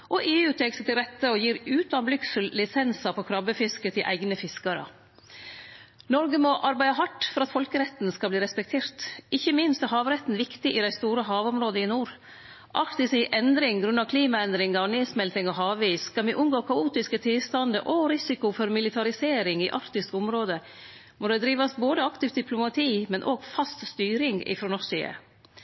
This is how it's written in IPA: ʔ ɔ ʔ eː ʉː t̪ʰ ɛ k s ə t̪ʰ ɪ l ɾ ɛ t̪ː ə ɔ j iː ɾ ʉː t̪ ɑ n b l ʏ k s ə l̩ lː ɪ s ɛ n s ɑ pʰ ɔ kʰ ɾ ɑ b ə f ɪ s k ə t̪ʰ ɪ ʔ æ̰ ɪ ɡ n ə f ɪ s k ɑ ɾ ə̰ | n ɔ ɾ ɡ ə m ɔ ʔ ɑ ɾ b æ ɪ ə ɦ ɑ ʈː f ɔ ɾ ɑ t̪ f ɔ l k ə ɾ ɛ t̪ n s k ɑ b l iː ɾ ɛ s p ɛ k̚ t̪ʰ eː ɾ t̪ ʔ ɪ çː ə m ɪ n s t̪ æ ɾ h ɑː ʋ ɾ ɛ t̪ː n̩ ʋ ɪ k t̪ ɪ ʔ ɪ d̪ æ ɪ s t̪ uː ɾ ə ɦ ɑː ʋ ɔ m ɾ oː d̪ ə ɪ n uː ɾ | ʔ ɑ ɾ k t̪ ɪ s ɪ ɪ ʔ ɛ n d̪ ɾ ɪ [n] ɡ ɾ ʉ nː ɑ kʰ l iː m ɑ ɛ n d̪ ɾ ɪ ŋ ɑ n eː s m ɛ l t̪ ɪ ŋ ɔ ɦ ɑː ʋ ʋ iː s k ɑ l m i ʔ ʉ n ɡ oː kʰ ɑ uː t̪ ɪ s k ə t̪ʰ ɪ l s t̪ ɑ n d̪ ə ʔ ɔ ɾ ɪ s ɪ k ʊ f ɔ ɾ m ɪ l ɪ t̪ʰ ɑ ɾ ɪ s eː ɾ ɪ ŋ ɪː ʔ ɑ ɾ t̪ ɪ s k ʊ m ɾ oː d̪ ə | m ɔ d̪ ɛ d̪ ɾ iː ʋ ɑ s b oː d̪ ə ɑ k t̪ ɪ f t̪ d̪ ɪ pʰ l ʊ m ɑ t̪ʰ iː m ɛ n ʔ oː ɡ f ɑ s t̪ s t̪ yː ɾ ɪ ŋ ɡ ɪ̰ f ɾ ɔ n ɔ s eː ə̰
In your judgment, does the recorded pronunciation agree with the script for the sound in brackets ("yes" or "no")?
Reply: no